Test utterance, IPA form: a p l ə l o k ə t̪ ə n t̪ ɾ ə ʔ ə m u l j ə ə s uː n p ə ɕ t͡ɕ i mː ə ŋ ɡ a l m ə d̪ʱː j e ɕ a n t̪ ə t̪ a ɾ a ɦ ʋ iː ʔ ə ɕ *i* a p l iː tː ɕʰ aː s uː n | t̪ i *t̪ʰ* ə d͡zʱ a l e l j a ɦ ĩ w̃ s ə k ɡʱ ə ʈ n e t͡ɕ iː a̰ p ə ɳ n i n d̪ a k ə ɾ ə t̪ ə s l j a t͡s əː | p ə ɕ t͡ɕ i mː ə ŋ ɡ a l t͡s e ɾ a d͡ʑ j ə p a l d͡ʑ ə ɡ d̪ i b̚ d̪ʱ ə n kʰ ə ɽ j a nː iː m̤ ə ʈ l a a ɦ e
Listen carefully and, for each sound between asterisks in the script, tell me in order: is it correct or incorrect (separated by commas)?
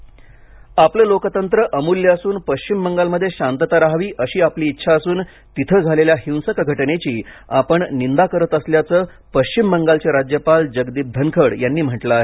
incorrect, correct